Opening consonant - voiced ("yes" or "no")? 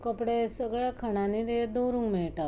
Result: no